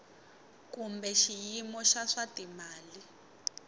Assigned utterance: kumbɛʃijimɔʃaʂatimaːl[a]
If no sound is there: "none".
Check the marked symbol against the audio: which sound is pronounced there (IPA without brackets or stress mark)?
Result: i